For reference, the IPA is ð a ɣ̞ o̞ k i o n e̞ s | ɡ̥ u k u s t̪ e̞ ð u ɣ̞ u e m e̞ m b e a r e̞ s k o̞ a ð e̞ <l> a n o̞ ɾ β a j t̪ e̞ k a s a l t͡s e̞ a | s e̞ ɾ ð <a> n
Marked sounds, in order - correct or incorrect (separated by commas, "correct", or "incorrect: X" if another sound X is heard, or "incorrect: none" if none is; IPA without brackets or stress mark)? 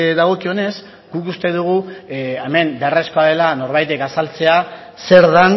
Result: correct, correct